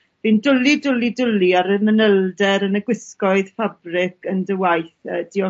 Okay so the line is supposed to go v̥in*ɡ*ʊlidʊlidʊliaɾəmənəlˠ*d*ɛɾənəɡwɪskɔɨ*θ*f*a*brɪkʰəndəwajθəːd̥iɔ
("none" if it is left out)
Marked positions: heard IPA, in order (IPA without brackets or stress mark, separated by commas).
d, d, ð, a